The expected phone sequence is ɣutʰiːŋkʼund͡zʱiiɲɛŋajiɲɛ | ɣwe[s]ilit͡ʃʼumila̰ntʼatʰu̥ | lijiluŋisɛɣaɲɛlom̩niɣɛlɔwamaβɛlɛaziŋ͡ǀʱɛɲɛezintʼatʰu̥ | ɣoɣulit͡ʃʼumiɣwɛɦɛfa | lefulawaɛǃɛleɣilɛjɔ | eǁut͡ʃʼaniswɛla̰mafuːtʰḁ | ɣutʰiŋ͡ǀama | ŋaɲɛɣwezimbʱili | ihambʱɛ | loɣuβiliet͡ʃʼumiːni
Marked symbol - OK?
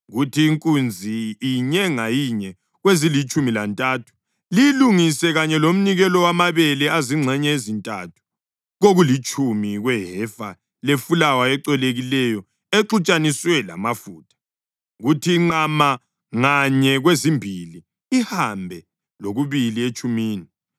no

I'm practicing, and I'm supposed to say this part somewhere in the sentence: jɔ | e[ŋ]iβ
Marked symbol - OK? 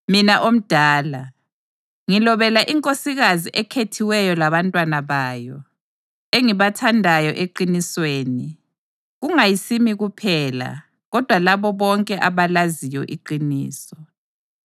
yes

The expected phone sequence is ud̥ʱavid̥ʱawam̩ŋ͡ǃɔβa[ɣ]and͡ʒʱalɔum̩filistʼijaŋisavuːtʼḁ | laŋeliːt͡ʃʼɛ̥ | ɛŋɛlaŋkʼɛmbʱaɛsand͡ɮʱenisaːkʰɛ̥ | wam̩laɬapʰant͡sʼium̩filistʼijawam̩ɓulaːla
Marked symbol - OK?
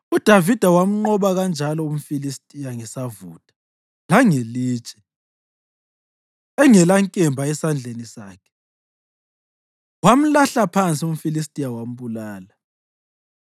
yes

